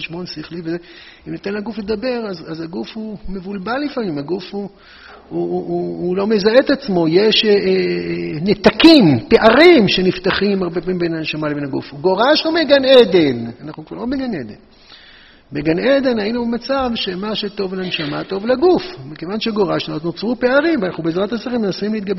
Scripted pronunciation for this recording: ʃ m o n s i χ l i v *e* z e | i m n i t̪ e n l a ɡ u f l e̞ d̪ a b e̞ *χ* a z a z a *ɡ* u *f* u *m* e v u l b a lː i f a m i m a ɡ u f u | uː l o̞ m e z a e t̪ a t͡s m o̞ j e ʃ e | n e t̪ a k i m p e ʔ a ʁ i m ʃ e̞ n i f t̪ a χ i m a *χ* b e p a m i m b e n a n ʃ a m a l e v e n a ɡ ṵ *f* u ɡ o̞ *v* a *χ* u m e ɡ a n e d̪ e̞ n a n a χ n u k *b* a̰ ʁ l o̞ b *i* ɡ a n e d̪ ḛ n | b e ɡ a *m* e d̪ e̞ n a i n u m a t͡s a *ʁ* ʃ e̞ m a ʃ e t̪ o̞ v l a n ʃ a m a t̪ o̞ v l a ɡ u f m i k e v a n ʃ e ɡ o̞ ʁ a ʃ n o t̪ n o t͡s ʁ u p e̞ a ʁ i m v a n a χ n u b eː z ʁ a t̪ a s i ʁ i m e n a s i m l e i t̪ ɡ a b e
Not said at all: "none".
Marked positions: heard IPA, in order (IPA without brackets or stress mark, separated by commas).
e, ʁ, ɡ, f, m, ʁ, f, ʁ, ʃ, v, e, n, v